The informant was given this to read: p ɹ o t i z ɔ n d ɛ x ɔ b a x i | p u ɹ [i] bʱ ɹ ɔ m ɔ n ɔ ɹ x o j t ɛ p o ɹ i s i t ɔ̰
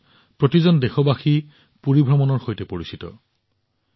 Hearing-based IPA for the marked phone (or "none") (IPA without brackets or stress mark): i